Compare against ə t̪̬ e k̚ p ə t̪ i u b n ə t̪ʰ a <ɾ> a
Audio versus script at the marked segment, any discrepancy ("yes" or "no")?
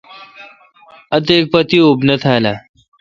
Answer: yes